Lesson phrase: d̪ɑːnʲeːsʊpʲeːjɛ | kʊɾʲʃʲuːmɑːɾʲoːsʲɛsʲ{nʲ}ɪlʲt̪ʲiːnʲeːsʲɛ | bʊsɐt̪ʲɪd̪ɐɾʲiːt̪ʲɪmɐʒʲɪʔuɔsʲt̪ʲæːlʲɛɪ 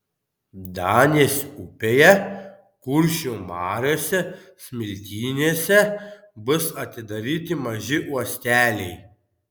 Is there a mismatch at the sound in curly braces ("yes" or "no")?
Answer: yes